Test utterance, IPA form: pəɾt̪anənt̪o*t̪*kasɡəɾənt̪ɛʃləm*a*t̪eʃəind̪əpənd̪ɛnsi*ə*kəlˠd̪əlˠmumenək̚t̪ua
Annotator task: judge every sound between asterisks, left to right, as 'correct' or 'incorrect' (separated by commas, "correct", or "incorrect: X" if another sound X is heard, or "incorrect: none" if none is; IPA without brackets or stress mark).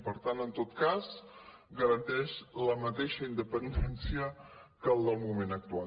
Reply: correct, incorrect: ə, correct